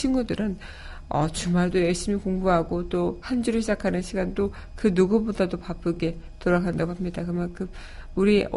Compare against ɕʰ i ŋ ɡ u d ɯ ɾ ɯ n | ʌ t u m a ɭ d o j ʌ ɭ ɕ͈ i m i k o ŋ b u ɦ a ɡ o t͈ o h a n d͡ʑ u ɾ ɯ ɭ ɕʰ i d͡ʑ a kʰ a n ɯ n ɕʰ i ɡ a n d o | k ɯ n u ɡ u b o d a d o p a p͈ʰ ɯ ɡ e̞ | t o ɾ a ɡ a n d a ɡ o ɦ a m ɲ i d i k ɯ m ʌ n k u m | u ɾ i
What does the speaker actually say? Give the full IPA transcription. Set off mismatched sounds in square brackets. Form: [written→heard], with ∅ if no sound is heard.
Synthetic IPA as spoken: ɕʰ i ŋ ɡ u d ɯ ɾ ɯ n | ʌ [t→t͡ɕ] u m a ɭ d o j ʌ ɭ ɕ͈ i m i k o ŋ b u ɦ a ɡ o t͈ o h a n d͡ʑ u ɾ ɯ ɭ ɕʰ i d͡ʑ a kʰ a n ɯ n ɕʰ i ɡ a n d o | k ɯ n u ɡ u b o d a d o p a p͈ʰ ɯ ɡ e̞ | t o ɾ a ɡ a n d a ɡ o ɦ a m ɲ i d [i→a] k ɯ m [ʌ→a] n k [u→ɯ] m | u ɾ i